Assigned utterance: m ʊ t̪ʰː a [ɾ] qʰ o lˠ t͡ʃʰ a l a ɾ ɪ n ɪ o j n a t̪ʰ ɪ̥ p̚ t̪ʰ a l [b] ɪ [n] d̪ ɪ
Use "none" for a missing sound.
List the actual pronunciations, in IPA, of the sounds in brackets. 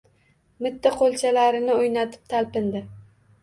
none, p, n

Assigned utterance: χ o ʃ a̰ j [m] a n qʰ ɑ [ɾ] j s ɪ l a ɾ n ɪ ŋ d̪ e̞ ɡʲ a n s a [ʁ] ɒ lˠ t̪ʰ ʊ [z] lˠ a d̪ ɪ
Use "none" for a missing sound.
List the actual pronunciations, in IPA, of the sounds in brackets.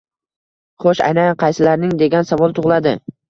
n, none, v, ʁ

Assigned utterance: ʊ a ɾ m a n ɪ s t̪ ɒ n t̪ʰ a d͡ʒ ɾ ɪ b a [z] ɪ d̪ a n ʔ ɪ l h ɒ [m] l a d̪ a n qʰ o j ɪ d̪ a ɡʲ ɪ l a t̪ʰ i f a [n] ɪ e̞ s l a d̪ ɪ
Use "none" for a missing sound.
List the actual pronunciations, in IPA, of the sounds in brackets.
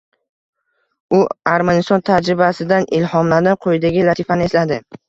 s, m, n

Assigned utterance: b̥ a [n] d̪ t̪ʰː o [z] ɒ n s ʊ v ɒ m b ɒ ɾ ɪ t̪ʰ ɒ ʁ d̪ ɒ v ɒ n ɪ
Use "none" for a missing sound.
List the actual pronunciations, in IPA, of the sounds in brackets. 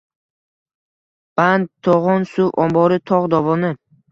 n, ʁ

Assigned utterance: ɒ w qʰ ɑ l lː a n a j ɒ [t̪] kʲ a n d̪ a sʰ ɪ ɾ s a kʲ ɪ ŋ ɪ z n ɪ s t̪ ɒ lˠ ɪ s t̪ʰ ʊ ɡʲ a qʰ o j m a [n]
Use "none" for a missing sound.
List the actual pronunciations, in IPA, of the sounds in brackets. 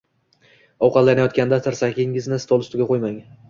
t̪, ŋ

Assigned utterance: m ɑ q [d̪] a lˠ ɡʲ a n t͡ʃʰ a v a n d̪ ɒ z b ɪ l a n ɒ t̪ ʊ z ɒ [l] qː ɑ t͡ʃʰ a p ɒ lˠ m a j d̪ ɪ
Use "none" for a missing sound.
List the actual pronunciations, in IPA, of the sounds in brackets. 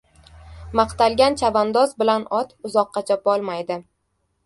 t̪, none

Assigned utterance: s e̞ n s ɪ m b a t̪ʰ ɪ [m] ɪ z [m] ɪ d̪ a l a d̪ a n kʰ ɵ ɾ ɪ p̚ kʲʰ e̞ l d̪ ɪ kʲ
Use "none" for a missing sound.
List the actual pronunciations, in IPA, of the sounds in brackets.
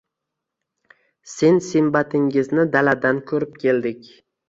ŋ, n

